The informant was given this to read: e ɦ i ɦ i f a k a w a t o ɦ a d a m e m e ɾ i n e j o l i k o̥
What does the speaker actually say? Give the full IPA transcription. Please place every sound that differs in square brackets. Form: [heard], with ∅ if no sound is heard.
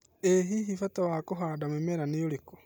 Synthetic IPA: e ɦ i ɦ i f a [t] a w a [k] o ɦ a d a m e m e ɾ [a] n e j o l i k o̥